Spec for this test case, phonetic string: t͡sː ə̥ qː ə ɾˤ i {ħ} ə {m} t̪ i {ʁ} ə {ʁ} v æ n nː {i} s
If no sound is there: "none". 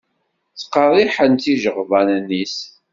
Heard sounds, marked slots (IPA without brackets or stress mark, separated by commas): ħ, n, ʒ, ʁ, i